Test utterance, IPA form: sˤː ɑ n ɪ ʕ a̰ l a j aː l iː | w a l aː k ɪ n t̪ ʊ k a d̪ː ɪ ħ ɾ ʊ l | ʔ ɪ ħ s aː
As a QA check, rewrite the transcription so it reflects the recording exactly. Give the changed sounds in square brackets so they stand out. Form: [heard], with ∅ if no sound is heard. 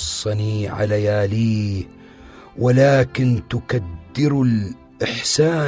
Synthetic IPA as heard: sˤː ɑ n [i] ʕ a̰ l a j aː l iː | w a l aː k ɪ n t̪ ʊ k a d̪ː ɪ [∅] ɾ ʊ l | ʔ ɪ ħ s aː